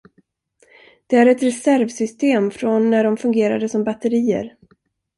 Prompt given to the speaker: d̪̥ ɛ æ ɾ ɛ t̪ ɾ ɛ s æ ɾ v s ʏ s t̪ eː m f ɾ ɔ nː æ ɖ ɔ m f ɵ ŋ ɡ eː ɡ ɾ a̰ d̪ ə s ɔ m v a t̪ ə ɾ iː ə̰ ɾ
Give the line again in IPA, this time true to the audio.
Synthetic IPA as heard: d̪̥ ɛ æ ɾ ɛ t̪ ɾ ɛ s æ ɾ v s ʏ s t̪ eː m f ɾ ɔ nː æ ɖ ɔ m f ɵ ŋ ɡ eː ɾ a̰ d̪ ə s ɔ m b a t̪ ə ɾ iː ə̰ ɾ